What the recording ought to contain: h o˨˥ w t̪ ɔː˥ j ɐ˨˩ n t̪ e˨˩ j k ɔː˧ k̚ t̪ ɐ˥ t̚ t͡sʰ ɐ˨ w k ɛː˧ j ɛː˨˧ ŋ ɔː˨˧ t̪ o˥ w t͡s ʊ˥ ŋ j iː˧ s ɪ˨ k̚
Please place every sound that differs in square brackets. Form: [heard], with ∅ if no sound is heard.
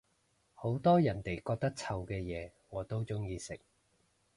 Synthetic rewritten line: h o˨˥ w t̪ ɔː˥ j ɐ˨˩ n t̪ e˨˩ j k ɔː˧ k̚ t̪ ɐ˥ [k̚] t͡sʰ ɐ˨ w k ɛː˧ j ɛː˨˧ ŋ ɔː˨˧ t̪ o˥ w t͡s ʊ˥ ŋ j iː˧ s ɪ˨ k̚